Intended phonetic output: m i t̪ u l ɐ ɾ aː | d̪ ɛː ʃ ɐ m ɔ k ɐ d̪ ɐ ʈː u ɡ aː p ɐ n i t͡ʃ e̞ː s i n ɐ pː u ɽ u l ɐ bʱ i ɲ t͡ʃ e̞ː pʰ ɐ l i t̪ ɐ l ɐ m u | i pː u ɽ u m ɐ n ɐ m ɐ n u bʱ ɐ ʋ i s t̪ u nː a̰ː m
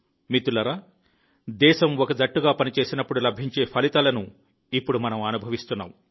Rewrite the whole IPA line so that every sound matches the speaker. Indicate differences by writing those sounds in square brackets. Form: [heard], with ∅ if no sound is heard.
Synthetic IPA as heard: m i t̪ u l ɐ ɾ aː | d̪ ɛː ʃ ɐ m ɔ k ɐ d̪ ɐ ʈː u ɡ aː p ɐ n i t͡ʃ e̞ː s i n ɐ pː u ɽ u l ɐ bʱ i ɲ t͡ʃ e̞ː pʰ ɐ l i t̪ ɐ l ɐ [n] u | i pː u ɽ u m ɐ n ɐ m ɐ n u bʱ ɐ ʋ i s t̪ u nː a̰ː m